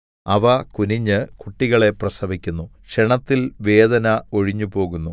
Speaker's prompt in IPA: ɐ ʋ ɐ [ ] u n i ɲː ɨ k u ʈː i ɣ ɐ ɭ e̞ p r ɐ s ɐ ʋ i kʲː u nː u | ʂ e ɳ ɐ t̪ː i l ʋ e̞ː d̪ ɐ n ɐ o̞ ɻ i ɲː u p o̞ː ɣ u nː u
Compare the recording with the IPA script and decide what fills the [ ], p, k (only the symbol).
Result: k